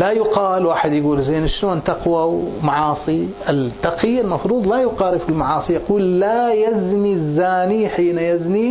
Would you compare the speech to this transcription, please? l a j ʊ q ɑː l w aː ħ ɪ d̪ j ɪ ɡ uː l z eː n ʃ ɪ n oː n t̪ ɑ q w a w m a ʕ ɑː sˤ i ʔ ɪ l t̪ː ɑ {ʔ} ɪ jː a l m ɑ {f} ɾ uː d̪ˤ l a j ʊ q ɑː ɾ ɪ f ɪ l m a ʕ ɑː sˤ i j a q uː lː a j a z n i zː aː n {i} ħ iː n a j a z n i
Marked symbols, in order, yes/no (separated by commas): no, yes, yes